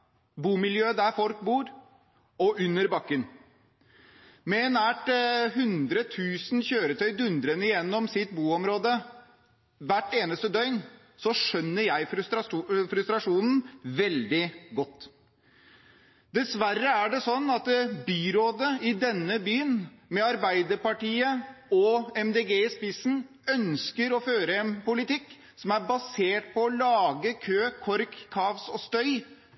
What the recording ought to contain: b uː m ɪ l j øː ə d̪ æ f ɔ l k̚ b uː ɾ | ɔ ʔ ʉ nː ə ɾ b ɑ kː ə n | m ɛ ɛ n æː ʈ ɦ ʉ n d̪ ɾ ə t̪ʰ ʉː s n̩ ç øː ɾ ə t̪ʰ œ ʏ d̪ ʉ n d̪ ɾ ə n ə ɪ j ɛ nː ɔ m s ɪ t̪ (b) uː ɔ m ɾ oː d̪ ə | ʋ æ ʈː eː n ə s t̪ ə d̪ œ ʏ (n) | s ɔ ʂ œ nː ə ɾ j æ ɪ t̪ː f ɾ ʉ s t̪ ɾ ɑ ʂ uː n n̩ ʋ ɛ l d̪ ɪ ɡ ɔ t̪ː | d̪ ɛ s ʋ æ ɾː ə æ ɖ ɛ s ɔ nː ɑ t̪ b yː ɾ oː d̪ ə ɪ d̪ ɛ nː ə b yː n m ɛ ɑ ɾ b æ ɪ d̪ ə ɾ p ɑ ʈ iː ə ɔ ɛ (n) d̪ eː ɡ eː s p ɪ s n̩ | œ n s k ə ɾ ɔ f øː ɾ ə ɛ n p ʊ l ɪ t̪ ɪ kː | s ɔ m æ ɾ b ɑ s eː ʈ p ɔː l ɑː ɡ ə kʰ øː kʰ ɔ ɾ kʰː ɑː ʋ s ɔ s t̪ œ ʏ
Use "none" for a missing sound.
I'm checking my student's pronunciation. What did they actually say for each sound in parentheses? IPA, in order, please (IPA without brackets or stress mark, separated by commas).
b, n, m